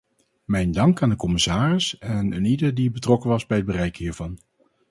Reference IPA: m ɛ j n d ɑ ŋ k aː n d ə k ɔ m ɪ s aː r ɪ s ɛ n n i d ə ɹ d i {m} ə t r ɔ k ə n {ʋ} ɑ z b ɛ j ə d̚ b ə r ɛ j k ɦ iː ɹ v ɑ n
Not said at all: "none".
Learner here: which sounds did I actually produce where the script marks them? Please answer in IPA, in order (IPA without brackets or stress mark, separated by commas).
b, ʋ